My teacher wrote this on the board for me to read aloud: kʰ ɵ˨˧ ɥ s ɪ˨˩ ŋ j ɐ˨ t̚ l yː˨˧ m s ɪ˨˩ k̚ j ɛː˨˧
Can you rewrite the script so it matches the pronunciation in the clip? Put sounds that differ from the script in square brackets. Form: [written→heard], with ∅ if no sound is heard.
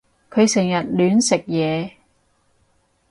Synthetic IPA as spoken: kʰ ɵ˨˧ ɥ s ɪ˨˩ ŋ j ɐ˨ t̚ l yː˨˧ [m→n] s ɪ˨˩ k̚ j ɛː˨˧